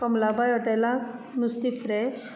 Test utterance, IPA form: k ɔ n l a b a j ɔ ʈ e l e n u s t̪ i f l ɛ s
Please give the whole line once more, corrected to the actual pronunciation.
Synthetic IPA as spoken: k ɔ m l a b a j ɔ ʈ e l a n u s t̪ i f ɾ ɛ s